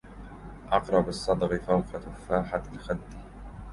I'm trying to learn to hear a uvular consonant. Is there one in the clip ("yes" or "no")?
yes